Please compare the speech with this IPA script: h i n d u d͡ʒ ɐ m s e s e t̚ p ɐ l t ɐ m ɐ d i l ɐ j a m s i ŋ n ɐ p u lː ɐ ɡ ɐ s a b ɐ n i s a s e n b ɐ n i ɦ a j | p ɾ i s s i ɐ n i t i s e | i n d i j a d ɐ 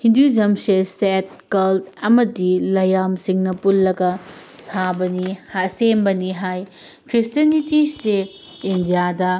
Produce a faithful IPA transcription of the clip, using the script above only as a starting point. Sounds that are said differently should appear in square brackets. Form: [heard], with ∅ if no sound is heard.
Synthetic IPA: h i n d u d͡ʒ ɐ m s e s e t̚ [k] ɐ l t ɐ m ɐ d i l ɐ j a m s i ŋ n ɐ p u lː ɐ ɡ ɐ s a b ɐ n i [h] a s e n b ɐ n i ɦ a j | [k] ɾ i s [t] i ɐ n i t i s e | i n d i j a d ɐ